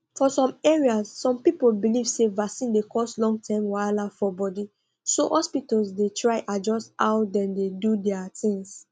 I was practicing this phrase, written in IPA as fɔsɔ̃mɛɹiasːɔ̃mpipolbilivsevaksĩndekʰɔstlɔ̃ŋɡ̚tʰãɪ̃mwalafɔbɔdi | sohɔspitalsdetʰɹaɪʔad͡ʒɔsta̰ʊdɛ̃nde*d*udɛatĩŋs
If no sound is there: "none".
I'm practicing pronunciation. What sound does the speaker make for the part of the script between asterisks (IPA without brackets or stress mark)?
d